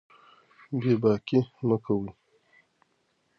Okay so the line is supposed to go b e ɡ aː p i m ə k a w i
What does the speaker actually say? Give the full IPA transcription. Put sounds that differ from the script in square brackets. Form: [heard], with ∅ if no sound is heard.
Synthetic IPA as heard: b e [b] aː [k] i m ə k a w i